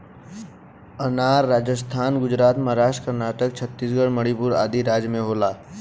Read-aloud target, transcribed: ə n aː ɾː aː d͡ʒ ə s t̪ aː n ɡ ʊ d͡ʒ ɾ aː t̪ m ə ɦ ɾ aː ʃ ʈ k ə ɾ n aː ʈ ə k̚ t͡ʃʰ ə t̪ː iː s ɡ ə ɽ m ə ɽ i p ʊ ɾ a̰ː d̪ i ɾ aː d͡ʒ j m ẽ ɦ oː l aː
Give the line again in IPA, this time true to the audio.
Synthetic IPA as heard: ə n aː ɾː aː d͡ʒ ə s t̪ʰ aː n ɡ ʊ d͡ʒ ɾ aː t̪ m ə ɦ ɾ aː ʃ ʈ k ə ɾ n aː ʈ ə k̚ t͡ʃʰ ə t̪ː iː s ɡ ə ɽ m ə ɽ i p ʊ ɾ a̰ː d̪ i ɾ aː d͡ʒ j m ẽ ɦ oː l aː